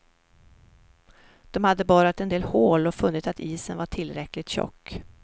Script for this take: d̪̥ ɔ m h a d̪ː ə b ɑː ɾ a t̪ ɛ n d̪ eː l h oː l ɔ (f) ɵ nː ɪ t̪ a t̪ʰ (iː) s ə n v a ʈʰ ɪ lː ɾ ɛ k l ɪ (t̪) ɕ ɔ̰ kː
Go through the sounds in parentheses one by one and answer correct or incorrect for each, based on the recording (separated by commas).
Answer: correct, correct, correct